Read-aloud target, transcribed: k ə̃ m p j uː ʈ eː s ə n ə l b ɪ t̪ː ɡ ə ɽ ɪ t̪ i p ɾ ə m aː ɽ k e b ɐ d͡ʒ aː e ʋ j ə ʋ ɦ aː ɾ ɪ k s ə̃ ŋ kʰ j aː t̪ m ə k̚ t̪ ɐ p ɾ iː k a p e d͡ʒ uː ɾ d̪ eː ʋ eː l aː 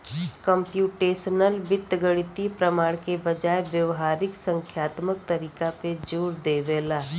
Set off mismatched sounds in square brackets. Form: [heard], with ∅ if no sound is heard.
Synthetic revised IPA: k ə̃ m p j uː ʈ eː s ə n ə l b ɪ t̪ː ɡ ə ɽ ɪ t̪ i p ɾ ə m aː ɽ k e b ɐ d͡ʒ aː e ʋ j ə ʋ ɦ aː ɾ ɪ k s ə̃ ŋ kʰ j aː t̪ m ə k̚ t̪ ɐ [∅] ɾ iː k a p e d͡ʒ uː ɾ d̪ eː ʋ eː l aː